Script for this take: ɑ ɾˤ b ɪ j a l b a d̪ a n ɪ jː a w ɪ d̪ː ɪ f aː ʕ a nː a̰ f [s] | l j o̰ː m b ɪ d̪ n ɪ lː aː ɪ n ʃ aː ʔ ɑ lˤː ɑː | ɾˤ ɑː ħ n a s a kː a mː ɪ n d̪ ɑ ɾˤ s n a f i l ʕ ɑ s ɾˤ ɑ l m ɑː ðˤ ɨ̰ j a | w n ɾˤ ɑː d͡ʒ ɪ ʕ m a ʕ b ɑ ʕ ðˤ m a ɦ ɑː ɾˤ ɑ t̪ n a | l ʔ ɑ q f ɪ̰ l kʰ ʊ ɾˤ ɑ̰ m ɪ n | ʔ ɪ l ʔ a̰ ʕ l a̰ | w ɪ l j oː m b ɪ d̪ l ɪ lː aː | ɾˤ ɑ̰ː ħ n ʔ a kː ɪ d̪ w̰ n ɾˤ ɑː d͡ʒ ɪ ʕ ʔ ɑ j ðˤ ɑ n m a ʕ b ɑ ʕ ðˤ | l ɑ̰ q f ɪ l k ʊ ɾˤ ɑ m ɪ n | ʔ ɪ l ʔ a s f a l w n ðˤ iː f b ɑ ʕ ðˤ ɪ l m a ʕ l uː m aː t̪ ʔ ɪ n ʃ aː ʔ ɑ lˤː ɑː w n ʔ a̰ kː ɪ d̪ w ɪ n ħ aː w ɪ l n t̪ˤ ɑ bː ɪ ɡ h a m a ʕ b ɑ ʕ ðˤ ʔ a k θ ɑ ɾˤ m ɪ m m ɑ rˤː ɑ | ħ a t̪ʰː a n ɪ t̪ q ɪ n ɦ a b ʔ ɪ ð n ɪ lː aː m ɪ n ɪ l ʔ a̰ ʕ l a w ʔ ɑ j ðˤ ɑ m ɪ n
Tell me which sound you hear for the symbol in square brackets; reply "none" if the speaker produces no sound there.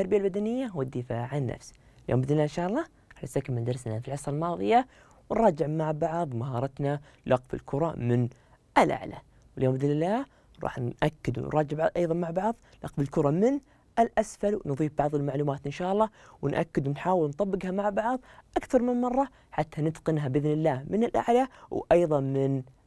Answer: s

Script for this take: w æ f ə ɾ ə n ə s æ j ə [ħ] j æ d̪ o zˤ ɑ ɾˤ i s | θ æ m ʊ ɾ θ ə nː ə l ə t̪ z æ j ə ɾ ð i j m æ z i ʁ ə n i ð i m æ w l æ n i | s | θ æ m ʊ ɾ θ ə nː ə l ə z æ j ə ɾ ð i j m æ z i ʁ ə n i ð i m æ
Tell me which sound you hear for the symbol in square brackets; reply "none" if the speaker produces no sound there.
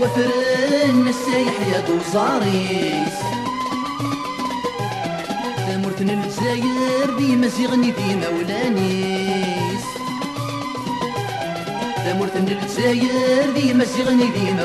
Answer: ħ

